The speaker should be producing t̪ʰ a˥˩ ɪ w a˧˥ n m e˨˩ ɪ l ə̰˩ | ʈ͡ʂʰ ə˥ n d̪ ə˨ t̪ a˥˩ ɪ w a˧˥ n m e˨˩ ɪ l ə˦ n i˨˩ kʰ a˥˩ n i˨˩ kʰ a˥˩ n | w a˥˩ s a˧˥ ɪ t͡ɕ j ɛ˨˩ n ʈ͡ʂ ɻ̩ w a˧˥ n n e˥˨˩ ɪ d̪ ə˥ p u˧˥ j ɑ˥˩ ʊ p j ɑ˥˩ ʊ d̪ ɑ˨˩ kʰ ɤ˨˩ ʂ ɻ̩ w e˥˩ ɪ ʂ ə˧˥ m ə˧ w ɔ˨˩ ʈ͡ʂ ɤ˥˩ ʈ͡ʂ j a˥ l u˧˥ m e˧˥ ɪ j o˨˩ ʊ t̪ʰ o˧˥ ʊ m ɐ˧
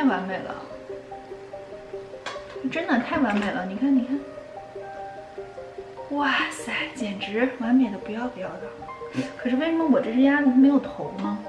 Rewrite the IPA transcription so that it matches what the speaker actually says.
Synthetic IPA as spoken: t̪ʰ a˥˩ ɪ w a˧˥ n m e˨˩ ɪ l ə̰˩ | ʈ͡ʂ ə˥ n d̪ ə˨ t̪ʰ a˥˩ ɪ w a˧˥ n m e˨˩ ɪ l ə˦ n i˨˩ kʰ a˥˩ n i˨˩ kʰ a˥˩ n | w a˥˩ s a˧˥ ɪ t͡ɕ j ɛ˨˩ n ʈ͡ʂ ɻ̩ w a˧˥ n m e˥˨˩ ɪ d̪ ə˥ p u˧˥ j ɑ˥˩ ʊ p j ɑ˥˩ ʊ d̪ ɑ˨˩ kʰ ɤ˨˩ ʂ ɻ̩ w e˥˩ ɪ ʂ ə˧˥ m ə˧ w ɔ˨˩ ʈ͡ʂ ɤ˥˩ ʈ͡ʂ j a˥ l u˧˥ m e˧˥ ɪ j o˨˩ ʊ t̪ʰ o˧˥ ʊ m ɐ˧

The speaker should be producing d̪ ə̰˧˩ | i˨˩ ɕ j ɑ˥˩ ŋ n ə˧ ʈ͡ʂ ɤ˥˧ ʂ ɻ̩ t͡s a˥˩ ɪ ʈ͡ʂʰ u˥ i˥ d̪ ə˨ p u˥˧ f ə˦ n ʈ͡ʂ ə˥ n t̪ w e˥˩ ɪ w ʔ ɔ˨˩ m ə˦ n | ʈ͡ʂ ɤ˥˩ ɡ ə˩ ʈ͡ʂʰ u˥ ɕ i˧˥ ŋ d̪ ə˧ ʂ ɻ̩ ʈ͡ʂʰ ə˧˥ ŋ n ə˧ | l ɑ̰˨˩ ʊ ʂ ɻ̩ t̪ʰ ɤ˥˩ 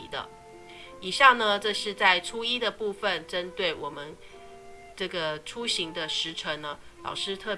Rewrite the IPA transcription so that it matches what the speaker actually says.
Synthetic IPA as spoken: d̪ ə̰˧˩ | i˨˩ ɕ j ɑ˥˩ ŋ n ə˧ ʈ͡ʂ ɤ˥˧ ʂ ɻ̩ t͡s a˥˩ ɪ ʈ͡ʂʰ u˥ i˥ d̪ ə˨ p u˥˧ f ə˨ n ʈ͡ʂ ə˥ n t̪ w e˥˩ ɪ w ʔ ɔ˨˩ m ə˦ n | ʈ͡ʂ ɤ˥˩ ɡ ə˩ ʈ͡ʂʰ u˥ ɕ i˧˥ ŋ d̪ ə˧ ʂ ɻ̩ ʈ͡ʂʰ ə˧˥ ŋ n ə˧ | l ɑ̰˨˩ ʊ ʂ ɻ̩ t̪ʰ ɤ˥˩

